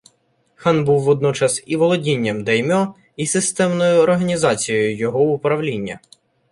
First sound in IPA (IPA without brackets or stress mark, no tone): x